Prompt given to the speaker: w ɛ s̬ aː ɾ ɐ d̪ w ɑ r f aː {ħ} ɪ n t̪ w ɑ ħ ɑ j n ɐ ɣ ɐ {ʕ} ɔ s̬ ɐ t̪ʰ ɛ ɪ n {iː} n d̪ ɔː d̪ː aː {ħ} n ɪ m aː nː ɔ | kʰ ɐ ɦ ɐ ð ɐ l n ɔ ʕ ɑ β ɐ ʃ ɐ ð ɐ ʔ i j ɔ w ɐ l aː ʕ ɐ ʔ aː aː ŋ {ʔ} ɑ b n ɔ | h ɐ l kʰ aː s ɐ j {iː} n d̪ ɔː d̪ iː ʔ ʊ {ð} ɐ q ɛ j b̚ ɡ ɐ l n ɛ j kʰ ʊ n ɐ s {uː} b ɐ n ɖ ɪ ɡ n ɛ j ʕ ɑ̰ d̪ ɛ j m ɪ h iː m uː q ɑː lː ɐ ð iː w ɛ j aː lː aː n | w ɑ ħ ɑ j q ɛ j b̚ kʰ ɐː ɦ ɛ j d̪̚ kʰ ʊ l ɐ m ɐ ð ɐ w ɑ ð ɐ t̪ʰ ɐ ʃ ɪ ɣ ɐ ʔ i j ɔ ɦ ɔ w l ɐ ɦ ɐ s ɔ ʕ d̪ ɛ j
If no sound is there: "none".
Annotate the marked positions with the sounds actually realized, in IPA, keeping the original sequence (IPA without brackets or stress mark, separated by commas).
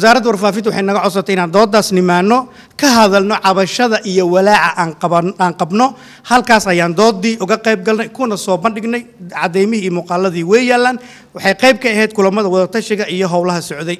f, ʕ, aː, s, q, aː, ɣ, ɔː